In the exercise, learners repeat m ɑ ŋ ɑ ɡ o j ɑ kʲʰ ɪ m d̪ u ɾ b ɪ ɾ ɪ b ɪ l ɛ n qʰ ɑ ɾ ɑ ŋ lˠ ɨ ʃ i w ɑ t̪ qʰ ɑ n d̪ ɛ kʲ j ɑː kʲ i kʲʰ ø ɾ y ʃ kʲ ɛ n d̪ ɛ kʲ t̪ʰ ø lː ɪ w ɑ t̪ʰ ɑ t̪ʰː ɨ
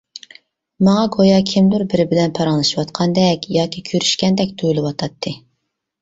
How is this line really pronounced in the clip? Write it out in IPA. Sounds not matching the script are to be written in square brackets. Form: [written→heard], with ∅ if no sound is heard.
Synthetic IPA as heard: m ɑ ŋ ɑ ɡ o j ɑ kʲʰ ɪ m d̪ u ɾ b ɪ ɾ ɪ b ɪ l ɛ n [qʰ→pʰ] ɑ ɾ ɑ ŋ lˠ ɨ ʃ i w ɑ t̪ qʰ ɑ n d̪ ɛ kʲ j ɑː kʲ i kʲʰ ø ɾ y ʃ kʲ ɛ n d̪ ɛ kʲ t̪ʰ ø [lː→l] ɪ w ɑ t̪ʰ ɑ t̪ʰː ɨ